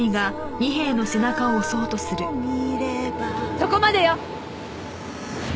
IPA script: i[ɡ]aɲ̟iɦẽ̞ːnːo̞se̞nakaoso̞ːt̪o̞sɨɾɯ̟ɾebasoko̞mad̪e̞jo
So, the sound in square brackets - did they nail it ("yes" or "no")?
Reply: yes